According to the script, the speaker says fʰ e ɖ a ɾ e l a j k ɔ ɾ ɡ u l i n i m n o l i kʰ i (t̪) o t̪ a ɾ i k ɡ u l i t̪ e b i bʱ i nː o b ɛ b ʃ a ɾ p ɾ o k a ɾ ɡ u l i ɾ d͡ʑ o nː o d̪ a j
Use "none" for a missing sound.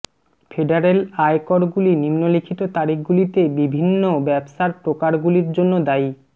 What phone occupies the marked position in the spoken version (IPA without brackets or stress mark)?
t̪